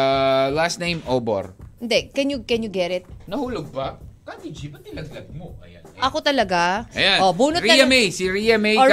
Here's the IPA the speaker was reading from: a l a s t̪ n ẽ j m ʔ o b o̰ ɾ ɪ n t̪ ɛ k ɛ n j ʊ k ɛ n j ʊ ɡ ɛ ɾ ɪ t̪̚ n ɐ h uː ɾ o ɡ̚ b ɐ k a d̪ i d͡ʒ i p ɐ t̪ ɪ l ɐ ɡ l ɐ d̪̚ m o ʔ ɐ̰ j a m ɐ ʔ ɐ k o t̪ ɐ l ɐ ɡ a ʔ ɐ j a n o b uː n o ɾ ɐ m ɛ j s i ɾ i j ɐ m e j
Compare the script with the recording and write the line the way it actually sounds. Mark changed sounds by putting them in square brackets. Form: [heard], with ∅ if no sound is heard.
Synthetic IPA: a l a s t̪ n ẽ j m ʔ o b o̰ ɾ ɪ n [d̪] ɛ k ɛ n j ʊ k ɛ n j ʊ ɡ ɛ ɾ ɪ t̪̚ n ɐ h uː [l] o ɡ̚ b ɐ k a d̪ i d͡ʒ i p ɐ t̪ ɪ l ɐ ɡ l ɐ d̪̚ m o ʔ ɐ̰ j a [n] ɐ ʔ ɐ k o t̪ ɐ l ɐ ɡ a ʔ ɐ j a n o b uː n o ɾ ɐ m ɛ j s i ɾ i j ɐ m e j